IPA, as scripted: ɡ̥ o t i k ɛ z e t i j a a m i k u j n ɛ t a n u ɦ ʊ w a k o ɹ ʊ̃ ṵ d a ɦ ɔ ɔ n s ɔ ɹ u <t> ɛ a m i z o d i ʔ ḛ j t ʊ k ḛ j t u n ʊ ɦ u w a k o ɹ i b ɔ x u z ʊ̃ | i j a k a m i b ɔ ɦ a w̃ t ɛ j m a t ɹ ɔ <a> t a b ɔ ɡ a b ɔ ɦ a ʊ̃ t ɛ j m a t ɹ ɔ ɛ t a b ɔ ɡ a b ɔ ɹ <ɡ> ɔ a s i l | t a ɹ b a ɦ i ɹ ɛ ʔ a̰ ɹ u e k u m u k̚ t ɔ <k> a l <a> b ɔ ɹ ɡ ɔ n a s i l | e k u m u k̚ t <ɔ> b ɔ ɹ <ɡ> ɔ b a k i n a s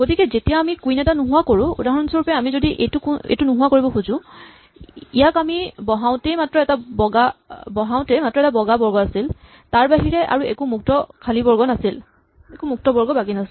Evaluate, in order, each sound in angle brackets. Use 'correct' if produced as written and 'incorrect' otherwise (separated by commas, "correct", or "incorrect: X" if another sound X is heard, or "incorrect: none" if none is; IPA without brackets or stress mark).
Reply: incorrect: p, incorrect: ɛ, correct, incorrect: kʰ, incorrect: i, correct, correct